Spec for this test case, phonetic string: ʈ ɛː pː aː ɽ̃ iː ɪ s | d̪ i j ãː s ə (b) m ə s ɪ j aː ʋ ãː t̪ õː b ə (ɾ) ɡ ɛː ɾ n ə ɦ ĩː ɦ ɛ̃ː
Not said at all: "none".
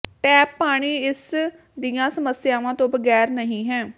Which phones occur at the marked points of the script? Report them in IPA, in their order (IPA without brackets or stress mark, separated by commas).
none, none